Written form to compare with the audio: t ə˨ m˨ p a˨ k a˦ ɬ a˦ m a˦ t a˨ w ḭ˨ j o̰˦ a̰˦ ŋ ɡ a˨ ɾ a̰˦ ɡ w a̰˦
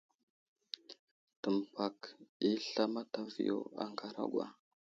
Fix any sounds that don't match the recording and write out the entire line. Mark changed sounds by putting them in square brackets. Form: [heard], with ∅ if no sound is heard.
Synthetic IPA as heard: t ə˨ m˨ p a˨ k [i˦] ɬ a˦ m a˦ t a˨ [v] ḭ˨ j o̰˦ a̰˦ ŋ ɡ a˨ ɾ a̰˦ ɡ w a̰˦